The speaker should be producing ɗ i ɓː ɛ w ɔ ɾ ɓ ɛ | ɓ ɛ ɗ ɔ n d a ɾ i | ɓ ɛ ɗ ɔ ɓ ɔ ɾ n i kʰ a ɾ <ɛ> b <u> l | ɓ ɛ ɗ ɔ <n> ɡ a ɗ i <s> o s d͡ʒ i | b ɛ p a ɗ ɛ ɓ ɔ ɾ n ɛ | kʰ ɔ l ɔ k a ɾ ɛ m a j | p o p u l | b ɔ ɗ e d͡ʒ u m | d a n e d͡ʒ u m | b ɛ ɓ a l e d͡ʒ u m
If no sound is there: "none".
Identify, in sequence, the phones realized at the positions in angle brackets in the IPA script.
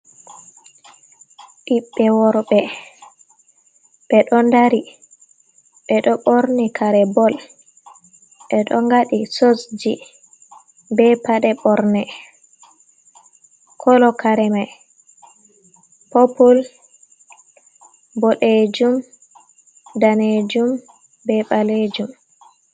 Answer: ɛ, ɔ, ŋ, s

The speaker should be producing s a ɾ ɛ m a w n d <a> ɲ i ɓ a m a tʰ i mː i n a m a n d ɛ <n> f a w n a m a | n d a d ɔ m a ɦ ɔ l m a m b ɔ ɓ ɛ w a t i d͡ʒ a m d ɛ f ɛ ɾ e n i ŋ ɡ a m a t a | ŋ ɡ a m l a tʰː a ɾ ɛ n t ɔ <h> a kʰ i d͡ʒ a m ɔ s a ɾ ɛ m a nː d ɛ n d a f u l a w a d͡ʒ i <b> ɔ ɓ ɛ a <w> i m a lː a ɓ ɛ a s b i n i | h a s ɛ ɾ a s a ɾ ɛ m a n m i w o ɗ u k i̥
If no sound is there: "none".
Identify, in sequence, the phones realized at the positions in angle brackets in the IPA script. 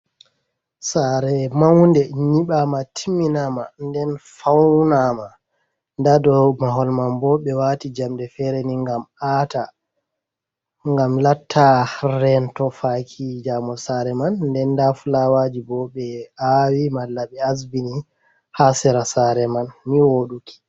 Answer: ɛ, n, f, b, w

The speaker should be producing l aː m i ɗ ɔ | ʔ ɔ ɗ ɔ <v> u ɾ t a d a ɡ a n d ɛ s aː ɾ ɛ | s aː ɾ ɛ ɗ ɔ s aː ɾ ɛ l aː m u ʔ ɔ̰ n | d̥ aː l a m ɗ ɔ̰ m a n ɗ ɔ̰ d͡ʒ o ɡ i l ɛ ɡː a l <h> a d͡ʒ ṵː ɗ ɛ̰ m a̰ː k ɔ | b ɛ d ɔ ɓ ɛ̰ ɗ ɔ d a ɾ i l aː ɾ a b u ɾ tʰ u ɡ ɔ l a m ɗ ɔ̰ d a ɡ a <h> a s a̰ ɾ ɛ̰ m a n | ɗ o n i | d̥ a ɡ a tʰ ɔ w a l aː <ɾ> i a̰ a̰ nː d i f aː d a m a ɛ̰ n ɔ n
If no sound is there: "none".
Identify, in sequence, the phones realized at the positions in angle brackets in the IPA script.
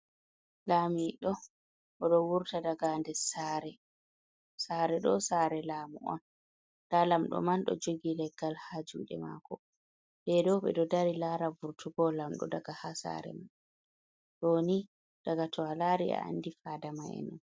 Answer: w, h, h, ɾ

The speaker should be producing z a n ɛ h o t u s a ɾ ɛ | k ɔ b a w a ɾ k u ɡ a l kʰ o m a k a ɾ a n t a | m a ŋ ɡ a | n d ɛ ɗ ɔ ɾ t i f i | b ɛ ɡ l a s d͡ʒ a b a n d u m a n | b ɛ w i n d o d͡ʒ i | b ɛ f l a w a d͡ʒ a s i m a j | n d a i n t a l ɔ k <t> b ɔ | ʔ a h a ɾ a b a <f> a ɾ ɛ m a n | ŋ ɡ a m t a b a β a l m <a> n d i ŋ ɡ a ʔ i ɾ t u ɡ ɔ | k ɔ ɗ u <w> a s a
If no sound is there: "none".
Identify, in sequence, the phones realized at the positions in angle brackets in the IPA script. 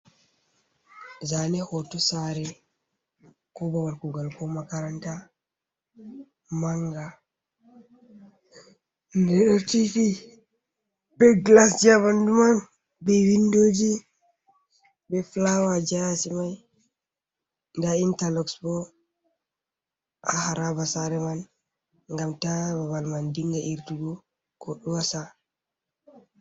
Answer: s, s, a, w

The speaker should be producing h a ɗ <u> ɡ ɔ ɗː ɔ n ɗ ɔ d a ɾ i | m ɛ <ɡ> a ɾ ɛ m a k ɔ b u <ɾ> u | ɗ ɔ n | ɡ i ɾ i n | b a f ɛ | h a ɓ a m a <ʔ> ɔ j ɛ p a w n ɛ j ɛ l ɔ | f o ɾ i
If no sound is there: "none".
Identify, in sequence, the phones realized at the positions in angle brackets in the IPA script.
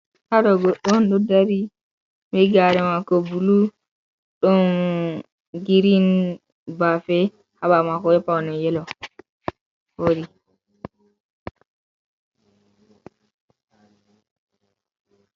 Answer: ɔ, ɡ, l, k

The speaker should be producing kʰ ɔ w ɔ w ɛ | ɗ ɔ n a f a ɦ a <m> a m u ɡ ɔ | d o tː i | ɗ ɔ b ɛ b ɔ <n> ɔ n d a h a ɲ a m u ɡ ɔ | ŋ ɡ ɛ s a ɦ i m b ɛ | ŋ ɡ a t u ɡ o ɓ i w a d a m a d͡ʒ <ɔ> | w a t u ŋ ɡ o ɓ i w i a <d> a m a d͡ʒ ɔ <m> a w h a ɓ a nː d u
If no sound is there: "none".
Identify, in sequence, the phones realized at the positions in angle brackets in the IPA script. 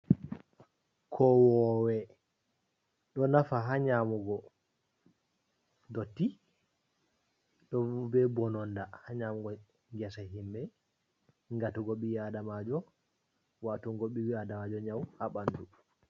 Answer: ɲ, n, ɔ, d, ɲ

